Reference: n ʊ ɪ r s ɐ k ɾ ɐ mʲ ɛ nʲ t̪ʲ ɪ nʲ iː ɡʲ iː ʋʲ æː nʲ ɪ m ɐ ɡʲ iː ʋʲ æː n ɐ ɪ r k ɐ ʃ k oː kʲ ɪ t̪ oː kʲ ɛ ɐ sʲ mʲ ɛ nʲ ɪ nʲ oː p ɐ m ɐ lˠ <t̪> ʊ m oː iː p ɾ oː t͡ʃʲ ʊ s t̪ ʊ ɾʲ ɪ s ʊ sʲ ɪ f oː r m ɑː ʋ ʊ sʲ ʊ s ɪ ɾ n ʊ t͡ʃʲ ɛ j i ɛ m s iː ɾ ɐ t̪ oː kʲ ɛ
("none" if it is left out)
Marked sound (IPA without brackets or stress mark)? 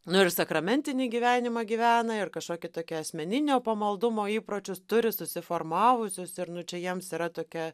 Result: d̪